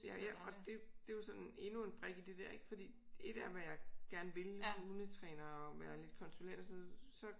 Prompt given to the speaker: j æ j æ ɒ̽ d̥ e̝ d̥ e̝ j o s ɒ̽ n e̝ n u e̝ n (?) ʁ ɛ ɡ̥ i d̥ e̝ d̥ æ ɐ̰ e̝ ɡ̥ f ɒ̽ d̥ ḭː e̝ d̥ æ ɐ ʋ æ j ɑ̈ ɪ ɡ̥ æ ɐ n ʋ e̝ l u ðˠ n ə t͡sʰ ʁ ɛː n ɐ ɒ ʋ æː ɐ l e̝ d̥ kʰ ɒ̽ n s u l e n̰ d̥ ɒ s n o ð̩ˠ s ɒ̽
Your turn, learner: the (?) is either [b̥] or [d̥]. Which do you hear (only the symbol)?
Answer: b̥